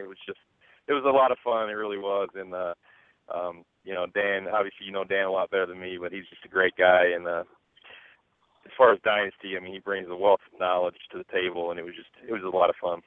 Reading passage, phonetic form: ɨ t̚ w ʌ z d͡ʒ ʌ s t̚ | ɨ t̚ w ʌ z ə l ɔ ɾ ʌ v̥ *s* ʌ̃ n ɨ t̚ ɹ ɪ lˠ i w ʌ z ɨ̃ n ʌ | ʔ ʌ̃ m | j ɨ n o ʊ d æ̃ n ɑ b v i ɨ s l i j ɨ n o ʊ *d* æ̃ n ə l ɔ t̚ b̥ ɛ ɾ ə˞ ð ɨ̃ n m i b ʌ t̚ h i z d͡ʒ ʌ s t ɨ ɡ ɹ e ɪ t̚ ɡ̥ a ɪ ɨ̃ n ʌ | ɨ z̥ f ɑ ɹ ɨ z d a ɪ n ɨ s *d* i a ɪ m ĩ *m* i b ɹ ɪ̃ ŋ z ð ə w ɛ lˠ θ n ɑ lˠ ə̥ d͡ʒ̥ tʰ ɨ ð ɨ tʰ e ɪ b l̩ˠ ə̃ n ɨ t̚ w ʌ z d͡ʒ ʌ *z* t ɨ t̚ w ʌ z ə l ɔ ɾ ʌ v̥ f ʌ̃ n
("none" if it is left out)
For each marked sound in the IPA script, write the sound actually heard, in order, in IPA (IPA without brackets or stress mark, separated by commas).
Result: f, d, t, n, s